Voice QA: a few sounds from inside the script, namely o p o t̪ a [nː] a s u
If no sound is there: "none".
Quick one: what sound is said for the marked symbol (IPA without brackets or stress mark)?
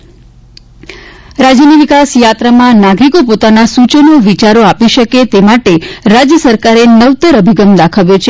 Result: n